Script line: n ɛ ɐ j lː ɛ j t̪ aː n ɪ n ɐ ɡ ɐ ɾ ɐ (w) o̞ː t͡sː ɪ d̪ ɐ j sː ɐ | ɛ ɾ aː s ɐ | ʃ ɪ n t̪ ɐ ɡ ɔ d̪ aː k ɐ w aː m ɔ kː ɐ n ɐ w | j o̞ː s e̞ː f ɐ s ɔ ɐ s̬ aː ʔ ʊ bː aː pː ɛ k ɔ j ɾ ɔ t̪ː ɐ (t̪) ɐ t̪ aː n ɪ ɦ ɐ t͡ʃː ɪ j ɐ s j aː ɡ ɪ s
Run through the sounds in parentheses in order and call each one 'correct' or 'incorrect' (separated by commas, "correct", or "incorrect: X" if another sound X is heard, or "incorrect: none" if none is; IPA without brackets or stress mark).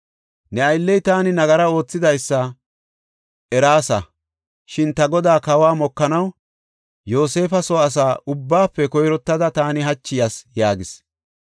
incorrect: none, incorrect: d̪